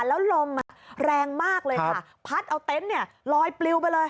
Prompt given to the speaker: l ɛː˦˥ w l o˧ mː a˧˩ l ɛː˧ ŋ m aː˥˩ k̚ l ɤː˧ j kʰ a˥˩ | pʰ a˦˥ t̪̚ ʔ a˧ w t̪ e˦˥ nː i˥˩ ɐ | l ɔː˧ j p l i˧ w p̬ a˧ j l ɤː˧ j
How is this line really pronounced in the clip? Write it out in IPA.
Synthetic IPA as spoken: l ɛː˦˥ w l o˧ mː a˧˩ ɾ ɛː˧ ŋ m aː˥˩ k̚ l ɤː˧ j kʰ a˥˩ | pʰ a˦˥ t̪̚ ʔ a˧ w t̪ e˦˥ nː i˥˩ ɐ | l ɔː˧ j p l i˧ w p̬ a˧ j l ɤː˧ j